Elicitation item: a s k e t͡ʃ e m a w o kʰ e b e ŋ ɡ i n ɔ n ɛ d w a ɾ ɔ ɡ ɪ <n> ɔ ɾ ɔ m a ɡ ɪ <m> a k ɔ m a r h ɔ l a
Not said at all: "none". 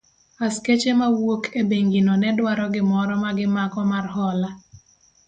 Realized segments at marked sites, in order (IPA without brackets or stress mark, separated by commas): m, m